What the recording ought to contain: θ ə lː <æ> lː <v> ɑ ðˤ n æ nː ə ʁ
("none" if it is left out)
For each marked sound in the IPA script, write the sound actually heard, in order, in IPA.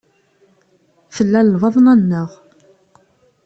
æ, v

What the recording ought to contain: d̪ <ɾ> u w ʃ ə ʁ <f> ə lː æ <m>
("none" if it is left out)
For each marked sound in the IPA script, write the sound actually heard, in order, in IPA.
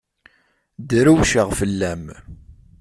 ɾ, f, m

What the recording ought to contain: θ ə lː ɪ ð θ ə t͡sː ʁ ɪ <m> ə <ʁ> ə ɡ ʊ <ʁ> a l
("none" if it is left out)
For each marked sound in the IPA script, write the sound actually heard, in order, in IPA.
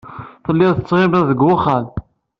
m, ð, χ

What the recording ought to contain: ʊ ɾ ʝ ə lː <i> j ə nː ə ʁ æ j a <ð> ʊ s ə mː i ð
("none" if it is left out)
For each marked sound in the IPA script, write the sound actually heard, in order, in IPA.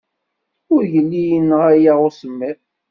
i, ʁ

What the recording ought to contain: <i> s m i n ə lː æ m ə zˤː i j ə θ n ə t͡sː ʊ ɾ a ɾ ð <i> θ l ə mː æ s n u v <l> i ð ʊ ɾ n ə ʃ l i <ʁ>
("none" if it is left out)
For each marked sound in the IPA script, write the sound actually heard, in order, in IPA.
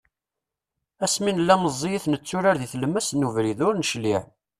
æ, i, ɾ, ʕ

